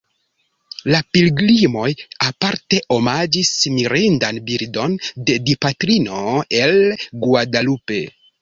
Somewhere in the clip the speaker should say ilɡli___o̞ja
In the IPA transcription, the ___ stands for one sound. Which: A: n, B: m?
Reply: B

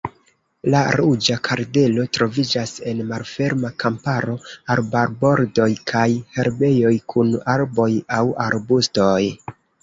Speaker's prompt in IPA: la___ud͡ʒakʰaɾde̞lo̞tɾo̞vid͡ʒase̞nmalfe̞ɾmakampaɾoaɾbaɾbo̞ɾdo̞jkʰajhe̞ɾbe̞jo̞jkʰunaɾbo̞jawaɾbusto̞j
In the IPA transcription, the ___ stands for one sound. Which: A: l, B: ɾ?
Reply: B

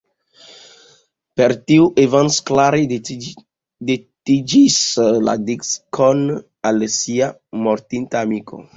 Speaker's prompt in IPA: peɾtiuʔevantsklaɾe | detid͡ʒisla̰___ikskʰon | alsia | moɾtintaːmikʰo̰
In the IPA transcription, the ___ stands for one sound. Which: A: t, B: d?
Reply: B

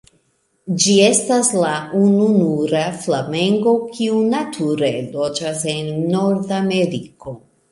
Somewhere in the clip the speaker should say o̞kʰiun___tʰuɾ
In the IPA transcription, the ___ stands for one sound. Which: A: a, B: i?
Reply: A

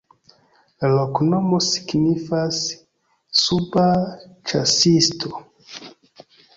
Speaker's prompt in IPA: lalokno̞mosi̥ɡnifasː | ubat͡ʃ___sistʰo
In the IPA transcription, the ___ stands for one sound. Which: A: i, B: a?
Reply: B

